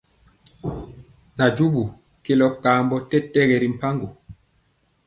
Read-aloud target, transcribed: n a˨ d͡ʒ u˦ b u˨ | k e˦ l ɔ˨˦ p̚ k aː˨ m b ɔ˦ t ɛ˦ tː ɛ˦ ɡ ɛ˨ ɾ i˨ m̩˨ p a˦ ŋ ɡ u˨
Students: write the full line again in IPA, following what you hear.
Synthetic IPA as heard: n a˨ d͡ʒ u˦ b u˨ | k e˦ l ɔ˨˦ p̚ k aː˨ m b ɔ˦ t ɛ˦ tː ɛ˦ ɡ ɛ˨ ɾ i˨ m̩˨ p a˦ ŋ ɡ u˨

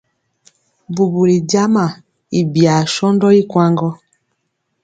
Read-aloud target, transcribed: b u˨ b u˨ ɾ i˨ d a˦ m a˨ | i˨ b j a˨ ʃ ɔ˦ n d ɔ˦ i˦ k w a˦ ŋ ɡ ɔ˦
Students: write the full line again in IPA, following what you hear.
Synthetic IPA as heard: b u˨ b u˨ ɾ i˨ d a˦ m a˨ | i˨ b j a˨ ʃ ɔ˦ n d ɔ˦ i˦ k w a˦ ŋ ɡ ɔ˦

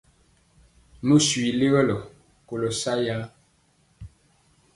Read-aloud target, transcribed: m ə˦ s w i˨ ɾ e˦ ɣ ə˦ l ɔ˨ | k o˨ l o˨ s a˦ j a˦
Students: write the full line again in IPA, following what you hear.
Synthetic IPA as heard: m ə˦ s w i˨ l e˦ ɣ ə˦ l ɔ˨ | k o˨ l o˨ s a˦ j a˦

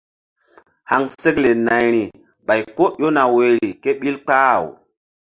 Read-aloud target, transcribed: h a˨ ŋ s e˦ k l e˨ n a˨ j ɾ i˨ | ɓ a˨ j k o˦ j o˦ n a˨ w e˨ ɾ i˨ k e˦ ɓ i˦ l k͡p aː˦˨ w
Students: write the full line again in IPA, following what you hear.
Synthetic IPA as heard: h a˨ ŋ s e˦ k l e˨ n a˨ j ɾ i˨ | ɓ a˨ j k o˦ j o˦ n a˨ w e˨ ɾ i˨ k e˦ ɓ i˦ l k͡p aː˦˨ w

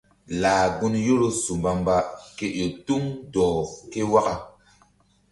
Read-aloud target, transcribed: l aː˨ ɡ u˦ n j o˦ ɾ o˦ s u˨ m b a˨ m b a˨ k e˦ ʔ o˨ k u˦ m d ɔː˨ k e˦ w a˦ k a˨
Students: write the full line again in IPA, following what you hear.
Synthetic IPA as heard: l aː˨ ɡ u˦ n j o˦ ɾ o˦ s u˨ m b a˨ m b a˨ k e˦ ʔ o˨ t u˦ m d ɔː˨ k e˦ w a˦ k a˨

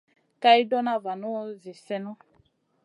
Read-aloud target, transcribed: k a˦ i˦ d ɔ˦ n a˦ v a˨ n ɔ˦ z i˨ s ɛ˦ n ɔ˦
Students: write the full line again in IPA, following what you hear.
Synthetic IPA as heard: k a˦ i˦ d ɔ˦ n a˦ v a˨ n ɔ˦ z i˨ s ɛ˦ n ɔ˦

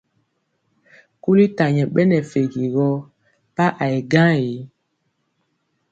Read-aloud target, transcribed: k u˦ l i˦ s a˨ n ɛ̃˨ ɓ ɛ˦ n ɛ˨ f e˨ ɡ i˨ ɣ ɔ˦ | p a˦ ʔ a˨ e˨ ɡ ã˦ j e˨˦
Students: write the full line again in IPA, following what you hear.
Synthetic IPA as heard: k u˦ l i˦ t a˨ ɲ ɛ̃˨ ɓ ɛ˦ n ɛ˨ f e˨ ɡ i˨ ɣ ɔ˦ | p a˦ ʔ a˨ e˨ ɡ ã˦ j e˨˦

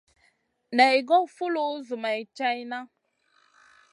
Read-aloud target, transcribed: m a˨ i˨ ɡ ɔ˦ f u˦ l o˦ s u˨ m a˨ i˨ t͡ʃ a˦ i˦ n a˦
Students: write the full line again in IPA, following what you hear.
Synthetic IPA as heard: n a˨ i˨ ɡ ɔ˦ f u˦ l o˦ z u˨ m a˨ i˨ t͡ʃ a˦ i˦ n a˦

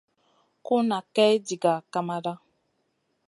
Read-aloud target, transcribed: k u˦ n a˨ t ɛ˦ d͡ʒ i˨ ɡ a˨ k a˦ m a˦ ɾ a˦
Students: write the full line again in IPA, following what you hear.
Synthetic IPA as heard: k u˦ n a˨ k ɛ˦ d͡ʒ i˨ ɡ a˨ k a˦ m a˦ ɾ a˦

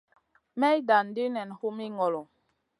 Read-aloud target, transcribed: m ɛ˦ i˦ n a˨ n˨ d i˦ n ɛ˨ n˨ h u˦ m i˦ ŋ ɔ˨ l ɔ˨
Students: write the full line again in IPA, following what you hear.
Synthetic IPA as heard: m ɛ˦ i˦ d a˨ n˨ d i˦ n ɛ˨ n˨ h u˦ m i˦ ŋ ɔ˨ l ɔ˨

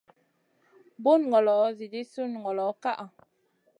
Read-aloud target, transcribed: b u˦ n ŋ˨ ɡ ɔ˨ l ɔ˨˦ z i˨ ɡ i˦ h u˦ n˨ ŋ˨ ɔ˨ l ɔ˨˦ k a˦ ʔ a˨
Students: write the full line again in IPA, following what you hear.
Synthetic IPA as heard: b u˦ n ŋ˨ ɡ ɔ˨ l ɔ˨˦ z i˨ d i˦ s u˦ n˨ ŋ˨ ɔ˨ l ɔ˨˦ k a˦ ʔ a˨

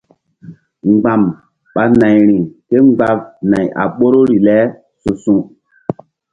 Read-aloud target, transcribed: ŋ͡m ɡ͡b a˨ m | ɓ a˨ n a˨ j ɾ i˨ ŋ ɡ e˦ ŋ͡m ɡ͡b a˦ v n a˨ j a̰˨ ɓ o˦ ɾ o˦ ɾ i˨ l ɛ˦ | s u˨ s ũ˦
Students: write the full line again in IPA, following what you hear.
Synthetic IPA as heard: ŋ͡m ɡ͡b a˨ m | ɓ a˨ n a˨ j ɾ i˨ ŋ k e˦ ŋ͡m ɡ͡b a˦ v n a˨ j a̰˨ ɓ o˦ ɾ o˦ ɾ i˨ l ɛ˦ | s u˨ s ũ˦

